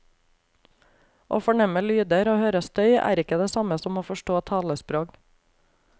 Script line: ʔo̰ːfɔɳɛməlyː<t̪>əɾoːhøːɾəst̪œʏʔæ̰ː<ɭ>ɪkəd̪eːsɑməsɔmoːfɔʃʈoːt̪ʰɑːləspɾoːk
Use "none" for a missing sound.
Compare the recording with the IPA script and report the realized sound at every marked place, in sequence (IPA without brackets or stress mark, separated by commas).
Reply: d̪, ɾ